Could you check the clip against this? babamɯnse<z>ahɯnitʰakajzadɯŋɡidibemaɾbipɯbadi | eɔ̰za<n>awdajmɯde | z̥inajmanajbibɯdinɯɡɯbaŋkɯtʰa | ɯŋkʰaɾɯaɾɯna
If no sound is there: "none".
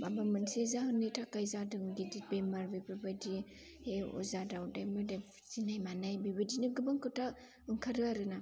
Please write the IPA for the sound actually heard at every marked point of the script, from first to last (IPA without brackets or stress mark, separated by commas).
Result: z, d